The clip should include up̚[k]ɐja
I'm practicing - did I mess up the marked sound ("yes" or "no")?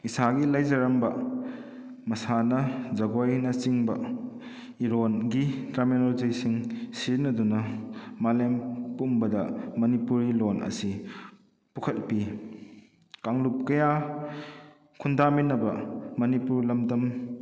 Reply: no